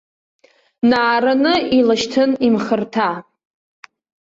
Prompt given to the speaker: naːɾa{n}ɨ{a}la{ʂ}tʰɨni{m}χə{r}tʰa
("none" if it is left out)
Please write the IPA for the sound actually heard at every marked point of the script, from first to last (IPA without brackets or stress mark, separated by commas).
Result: n, i, ʃ, m, r